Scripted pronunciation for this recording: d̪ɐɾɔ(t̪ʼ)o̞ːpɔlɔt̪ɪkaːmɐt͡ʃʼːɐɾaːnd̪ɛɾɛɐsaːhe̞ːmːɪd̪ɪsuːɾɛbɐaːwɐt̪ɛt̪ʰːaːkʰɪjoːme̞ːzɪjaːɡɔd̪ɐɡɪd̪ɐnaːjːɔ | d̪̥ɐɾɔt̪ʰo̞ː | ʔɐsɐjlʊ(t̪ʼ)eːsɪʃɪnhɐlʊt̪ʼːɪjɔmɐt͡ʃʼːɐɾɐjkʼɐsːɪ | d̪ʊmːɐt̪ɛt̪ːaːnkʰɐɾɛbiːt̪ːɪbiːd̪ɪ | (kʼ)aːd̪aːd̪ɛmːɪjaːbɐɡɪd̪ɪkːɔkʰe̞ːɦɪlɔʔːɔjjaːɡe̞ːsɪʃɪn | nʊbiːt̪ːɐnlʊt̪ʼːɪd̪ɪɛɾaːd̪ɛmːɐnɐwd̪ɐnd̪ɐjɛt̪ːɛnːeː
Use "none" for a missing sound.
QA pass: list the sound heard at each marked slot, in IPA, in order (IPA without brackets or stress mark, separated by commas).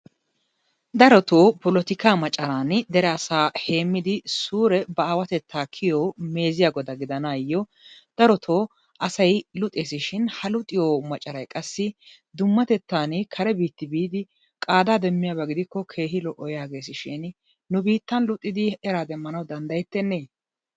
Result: t̪, t̪ʼ, kʼ